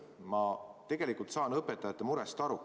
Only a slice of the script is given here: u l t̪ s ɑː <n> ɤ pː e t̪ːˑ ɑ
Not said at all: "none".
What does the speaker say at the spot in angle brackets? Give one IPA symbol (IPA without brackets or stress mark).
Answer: n